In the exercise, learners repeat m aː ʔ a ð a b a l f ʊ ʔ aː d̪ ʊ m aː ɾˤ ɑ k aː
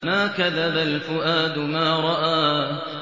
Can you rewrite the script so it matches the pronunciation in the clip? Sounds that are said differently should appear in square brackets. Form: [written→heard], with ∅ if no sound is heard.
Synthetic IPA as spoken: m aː [ʔ→k] a ð a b a l f ʊ ʔ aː d̪ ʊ m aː ɾˤ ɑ [k→ʔ] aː